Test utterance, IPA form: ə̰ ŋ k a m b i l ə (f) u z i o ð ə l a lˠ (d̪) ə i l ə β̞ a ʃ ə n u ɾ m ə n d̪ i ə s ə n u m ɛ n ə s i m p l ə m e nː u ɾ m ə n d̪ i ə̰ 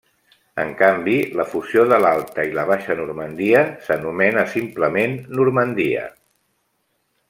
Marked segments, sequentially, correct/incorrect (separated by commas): correct, incorrect